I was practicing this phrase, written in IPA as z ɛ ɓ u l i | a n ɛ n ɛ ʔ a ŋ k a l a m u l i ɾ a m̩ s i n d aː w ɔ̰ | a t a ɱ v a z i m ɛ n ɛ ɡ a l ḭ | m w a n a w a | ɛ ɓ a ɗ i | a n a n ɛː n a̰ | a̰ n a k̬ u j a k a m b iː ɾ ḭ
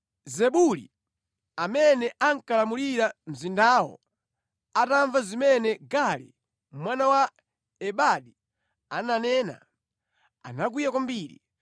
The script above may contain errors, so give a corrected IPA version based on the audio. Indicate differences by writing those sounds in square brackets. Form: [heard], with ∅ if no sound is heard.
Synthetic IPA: z ɛ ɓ u l i | a [m] ɛ n ɛ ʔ a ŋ k a l a m u l i ɾ a m̩ [z] i n d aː w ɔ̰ | a t a ɱ v a z i m ɛ n ɛ ɡ a l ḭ | m w a n a w a | ɛ ɓ a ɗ i | a n a n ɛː n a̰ | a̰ n a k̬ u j a k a m b iː ɾ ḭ